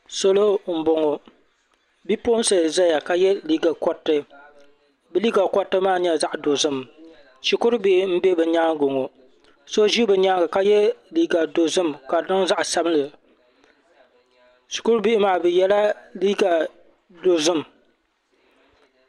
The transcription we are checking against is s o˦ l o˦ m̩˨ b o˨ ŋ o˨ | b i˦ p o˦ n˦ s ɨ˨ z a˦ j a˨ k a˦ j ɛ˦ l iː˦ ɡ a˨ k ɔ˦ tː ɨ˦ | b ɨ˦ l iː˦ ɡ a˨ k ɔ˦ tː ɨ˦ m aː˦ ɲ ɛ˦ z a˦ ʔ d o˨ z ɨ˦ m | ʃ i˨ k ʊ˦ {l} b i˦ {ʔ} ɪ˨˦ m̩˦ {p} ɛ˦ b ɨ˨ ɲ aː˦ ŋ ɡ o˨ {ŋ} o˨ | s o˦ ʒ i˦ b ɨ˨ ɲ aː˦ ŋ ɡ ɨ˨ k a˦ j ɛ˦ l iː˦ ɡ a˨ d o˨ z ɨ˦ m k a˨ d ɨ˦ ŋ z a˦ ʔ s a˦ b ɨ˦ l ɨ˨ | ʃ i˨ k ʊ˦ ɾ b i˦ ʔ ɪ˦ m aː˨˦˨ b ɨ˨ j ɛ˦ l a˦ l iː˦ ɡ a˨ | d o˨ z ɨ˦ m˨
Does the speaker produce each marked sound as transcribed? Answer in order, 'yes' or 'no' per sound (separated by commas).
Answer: no, yes, no, yes